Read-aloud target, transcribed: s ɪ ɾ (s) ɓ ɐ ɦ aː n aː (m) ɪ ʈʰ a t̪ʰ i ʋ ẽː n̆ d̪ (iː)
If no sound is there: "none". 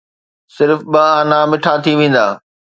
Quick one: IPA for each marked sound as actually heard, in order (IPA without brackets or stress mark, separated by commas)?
f, m, aː